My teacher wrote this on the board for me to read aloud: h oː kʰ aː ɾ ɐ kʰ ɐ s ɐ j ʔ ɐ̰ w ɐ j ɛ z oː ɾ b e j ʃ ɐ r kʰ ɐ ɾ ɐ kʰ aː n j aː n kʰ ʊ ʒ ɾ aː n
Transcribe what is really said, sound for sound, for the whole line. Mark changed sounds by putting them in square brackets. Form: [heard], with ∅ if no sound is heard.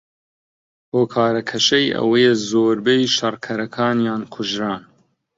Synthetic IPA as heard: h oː kʰ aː ɾ ɐ kʰ ɐ [ʃ] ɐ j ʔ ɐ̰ w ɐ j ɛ z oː ɾ b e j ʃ ɐ r kʰ ɐ ɾ ɐ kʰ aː n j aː n kʰ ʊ ʒ ɾ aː n

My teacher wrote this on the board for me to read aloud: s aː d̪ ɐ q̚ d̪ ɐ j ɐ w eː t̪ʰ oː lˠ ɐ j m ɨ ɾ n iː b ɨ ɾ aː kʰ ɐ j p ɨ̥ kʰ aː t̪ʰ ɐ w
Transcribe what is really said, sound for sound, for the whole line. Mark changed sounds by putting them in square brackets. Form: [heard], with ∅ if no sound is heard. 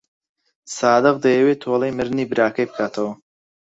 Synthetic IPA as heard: s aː d̪ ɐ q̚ d̪ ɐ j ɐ w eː t̪ʰ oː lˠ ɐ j m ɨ ɾ n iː b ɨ ɾ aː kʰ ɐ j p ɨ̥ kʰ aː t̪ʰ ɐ w

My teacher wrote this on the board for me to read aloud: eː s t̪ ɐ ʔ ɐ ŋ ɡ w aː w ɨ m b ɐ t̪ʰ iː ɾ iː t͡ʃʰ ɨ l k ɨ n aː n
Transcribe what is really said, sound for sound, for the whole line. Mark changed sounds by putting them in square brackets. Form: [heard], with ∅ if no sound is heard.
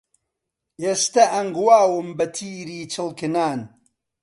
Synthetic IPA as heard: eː s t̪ ɐ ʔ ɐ ŋ ɡ w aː w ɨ m b ɐ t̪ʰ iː ɾ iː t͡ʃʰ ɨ l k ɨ n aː n

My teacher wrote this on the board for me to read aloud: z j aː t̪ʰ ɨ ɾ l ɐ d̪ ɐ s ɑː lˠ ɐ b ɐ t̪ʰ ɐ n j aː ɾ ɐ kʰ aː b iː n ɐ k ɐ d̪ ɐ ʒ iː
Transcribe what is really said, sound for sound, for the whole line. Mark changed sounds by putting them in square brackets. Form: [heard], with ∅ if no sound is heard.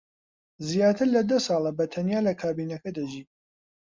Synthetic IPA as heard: z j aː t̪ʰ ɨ ɾ l ɐ d̪ ɐ s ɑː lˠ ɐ b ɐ t̪ʰ ɐ n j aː [l] ɐ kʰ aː b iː n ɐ k ɐ d̪ ɐ ʒ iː

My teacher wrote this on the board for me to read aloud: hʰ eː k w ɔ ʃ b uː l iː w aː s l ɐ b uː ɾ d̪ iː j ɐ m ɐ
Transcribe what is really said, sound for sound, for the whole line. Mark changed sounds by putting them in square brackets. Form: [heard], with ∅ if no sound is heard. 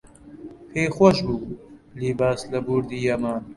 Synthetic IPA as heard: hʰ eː [x] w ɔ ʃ b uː l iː [b] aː s l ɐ b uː ɾ d̪ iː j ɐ m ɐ

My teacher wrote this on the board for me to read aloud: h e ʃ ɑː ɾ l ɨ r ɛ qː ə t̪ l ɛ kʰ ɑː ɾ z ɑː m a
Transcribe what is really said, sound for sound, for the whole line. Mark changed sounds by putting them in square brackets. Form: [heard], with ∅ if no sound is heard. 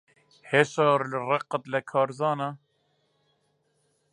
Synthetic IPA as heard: h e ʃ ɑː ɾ l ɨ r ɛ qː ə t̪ l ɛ kʰ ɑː ɾ z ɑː [n] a

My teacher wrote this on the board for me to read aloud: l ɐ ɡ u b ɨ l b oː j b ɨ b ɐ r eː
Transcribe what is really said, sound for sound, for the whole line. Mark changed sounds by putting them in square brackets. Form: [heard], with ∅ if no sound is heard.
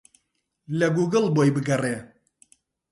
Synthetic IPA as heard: l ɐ ɡ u [ɡ] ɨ l b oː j b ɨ [ɡ] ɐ r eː

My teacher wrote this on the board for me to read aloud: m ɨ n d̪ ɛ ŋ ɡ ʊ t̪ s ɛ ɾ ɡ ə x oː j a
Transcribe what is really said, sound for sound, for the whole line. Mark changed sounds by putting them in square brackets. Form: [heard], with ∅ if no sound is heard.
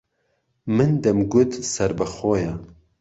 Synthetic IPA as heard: m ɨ n d̪ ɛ [m] ɡ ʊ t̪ s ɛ ɾ [b] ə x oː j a

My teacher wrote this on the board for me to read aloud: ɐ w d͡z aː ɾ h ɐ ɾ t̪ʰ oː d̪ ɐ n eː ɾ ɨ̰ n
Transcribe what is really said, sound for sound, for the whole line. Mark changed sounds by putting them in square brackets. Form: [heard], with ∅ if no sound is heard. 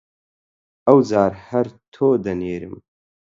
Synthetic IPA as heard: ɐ w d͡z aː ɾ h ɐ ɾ t̪ʰ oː d̪ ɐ n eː ɾ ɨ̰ [m]

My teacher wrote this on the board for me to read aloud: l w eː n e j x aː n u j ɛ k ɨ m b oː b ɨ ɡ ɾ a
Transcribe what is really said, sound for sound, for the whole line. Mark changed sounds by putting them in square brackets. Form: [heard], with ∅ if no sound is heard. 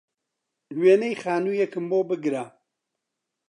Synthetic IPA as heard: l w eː n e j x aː n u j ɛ k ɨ m b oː b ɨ ɡ ɾ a

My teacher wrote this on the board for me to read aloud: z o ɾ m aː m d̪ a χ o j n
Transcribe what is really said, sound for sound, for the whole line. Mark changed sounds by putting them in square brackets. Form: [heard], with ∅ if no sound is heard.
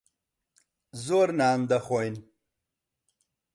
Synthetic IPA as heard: z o ɾ [n] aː [n] d̪ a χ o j n

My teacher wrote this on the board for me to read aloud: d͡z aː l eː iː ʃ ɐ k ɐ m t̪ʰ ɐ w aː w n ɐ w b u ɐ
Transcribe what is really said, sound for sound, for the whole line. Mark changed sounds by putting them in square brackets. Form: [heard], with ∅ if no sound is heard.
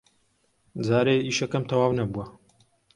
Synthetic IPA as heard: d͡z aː [ɾ] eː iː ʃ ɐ k ɐ m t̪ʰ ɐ w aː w n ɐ [∅] b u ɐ

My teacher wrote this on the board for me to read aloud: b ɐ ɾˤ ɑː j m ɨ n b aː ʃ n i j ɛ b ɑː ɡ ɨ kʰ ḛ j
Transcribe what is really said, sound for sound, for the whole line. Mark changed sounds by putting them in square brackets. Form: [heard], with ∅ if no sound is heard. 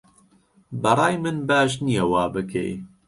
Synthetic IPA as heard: b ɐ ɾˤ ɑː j m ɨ n b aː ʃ n i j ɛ [w] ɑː [b] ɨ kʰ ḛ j

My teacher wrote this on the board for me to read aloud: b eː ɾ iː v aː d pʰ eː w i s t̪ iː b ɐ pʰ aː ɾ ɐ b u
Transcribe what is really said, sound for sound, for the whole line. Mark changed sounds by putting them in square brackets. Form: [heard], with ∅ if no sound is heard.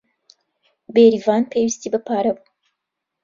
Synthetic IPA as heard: b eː ɾ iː v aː [n] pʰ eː w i s t̪ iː b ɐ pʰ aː ɾ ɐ b u

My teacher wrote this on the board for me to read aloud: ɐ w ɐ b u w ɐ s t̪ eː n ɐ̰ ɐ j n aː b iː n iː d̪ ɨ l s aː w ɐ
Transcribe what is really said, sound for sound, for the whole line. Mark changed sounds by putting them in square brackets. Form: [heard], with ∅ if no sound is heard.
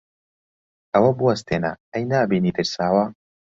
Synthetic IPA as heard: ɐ w ɐ b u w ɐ s t̪ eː n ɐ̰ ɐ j n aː b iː n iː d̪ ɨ [ɾ] s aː w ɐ

